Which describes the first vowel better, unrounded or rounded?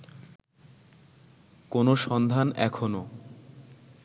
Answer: rounded